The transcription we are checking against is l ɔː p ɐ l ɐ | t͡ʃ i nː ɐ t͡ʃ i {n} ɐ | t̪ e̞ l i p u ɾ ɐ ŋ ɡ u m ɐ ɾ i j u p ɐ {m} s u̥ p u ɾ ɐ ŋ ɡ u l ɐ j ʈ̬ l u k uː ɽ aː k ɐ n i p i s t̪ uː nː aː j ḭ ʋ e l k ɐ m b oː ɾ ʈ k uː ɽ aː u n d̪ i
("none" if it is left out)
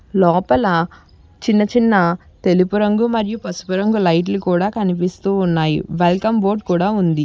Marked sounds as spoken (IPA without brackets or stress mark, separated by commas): nː, none